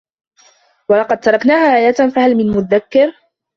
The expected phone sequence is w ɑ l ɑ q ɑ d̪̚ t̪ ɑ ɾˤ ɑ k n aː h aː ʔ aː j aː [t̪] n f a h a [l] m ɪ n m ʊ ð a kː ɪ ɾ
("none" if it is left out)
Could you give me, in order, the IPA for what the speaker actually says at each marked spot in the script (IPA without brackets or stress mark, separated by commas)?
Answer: t̪, l